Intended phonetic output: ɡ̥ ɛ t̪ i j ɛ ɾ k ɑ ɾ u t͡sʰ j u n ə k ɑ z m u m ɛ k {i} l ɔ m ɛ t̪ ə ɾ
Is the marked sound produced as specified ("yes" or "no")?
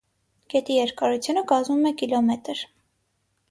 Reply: yes